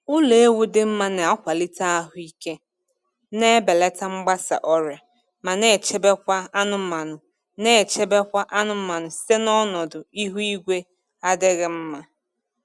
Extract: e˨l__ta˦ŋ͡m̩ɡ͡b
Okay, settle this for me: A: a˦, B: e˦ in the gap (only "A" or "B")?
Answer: B